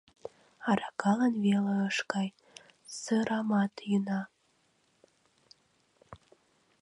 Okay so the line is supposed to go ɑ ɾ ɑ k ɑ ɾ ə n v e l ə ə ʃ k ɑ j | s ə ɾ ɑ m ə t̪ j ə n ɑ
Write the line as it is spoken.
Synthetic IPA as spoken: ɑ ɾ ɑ k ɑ l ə n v e l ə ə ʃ k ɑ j | s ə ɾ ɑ m ɑ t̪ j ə n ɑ